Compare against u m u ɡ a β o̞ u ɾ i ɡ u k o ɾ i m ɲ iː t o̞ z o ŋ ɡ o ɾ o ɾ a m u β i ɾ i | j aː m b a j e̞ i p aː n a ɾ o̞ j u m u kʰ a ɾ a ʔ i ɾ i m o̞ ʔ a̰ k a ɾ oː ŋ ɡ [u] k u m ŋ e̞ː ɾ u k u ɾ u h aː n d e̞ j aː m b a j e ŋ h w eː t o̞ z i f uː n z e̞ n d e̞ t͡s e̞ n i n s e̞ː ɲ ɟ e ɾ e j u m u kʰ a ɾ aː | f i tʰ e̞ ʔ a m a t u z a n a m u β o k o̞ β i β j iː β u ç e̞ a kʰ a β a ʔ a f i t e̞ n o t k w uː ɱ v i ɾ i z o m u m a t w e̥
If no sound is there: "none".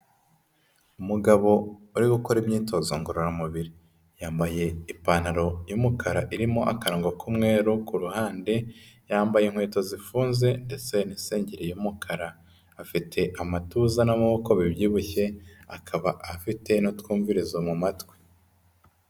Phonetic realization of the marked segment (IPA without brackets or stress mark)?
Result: o